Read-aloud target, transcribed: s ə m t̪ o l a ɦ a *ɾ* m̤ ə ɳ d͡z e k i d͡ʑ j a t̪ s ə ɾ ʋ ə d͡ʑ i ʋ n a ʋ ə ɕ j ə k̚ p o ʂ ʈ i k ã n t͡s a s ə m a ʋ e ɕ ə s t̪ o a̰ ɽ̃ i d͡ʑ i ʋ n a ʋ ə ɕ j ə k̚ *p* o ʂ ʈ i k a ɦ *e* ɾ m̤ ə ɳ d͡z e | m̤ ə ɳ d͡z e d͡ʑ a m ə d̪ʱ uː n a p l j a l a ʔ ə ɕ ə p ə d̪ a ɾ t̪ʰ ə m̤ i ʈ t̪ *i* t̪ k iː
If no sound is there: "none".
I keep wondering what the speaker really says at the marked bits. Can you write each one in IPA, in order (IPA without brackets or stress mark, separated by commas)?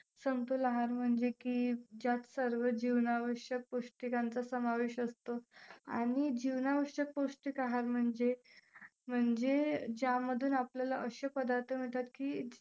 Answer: ɾ, p, a, a